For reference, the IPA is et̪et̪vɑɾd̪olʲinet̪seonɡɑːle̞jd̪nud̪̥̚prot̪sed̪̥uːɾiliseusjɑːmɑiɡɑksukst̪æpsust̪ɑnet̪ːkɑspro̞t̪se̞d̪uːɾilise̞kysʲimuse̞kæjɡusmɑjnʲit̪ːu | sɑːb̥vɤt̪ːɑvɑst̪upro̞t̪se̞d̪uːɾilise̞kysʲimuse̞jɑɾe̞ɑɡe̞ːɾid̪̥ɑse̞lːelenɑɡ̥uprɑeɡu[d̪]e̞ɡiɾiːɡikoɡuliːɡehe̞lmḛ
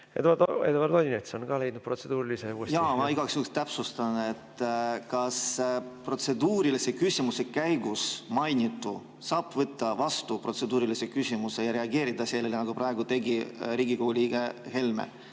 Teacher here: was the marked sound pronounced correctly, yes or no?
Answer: no